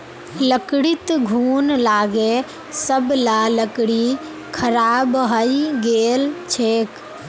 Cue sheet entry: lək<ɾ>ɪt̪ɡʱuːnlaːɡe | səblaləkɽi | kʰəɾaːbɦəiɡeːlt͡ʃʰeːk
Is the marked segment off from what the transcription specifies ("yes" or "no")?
yes